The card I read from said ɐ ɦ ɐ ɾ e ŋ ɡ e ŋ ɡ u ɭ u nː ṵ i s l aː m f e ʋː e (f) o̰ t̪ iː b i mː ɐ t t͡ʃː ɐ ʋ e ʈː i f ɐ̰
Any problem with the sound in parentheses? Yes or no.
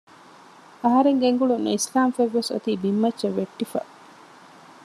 yes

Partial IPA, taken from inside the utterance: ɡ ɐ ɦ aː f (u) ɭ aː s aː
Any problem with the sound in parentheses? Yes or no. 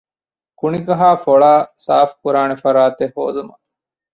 yes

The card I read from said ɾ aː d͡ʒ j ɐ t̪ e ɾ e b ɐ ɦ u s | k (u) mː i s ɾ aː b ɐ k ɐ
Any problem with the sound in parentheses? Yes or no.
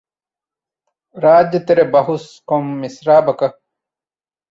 yes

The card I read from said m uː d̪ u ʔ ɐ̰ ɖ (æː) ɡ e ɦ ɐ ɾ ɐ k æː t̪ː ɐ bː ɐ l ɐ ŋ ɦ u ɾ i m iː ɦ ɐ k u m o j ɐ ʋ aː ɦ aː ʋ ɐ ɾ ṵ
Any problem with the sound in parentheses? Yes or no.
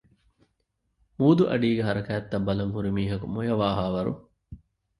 yes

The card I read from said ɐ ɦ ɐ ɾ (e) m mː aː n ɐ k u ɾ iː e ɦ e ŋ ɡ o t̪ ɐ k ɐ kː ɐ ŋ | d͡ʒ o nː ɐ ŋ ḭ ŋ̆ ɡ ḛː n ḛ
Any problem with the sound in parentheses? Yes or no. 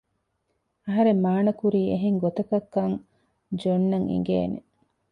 no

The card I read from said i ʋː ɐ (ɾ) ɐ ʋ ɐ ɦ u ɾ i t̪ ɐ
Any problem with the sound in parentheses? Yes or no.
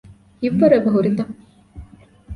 no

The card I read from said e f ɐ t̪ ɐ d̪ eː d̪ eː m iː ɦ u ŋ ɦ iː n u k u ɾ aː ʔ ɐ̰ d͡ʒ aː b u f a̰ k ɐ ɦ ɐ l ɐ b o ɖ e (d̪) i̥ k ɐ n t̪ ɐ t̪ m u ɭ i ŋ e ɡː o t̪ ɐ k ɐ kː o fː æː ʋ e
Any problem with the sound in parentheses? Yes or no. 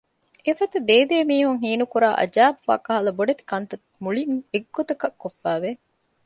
yes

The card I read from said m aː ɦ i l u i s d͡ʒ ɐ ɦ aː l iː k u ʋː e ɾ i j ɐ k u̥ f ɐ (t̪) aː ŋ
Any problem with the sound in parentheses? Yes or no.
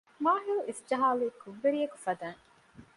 yes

